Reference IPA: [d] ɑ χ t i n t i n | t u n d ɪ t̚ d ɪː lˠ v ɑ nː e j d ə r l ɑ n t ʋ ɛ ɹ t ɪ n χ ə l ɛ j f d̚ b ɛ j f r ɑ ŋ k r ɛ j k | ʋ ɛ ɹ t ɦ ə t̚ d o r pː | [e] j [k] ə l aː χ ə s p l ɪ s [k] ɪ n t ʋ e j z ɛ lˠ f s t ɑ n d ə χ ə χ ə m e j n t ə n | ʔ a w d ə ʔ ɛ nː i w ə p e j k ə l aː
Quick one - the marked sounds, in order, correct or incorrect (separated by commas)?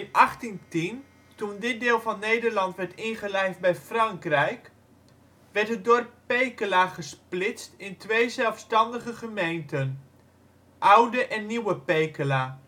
incorrect, correct, correct, incorrect